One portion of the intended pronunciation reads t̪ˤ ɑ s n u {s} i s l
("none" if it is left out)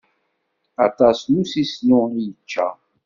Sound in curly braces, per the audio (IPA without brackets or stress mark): s